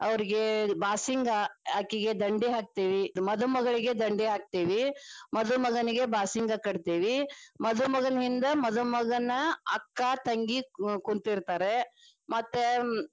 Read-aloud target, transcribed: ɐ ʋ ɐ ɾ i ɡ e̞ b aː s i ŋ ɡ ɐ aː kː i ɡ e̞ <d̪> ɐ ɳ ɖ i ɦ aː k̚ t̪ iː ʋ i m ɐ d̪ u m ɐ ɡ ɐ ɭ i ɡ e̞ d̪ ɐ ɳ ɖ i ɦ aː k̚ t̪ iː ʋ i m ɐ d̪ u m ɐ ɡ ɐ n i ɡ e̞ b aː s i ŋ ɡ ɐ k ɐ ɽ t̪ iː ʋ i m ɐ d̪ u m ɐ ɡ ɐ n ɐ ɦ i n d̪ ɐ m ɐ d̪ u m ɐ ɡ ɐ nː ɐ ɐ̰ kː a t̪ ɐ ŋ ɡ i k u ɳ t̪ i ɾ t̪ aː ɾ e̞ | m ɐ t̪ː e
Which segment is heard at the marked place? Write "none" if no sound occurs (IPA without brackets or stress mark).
d̪